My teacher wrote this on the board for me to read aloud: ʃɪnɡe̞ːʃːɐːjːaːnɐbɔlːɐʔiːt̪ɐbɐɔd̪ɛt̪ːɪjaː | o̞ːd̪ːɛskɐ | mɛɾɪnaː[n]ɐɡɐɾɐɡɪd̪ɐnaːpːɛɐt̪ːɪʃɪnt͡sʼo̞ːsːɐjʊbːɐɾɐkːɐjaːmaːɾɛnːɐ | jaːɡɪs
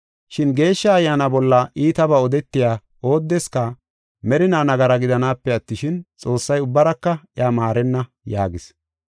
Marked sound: correct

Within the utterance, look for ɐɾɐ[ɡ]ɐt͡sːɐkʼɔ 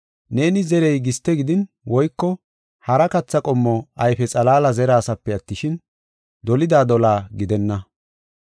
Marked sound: incorrect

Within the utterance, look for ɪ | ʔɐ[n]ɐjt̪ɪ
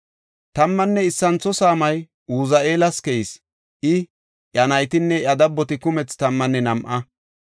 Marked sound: correct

